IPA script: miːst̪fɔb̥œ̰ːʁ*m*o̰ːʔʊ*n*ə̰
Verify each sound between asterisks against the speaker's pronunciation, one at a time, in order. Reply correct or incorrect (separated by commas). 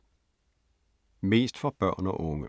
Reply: incorrect, incorrect